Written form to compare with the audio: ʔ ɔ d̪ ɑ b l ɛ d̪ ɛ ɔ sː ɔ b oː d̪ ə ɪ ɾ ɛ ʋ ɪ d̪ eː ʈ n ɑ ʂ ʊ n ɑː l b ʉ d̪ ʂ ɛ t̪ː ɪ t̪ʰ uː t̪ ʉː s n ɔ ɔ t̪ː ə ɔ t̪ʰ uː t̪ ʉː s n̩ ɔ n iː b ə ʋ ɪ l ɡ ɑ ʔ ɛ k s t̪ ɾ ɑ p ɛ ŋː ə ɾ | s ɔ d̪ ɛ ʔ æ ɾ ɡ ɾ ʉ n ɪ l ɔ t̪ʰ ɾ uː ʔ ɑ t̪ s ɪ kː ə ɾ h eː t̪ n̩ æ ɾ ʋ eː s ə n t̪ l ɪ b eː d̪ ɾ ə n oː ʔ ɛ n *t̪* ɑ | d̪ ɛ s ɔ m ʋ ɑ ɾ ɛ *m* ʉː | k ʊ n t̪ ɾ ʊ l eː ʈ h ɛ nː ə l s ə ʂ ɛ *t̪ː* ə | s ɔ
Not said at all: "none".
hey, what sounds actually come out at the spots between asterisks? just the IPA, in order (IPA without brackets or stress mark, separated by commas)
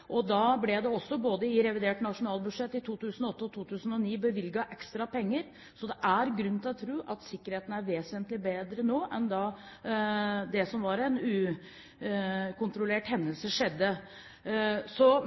d̪, n, d̪ː